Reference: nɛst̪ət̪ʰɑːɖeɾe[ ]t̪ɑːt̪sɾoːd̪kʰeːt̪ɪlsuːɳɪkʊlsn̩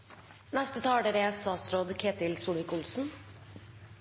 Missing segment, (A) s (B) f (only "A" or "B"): A